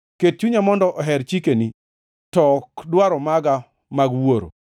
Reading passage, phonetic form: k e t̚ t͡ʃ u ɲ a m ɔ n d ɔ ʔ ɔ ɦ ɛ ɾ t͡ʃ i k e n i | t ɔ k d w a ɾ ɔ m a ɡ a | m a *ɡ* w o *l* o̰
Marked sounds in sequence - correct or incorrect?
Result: correct, incorrect

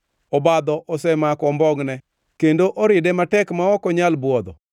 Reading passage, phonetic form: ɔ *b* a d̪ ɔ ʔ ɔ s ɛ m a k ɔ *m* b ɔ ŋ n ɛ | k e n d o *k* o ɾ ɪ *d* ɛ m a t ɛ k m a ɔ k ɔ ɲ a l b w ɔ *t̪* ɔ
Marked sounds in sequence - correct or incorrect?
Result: correct, correct, incorrect, correct, incorrect

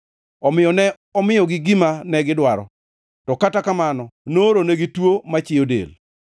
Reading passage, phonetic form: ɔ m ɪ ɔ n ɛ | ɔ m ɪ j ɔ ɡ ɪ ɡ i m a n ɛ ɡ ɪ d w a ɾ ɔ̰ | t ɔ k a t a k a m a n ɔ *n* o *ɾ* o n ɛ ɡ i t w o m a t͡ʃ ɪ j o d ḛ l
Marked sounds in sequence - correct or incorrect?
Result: correct, correct

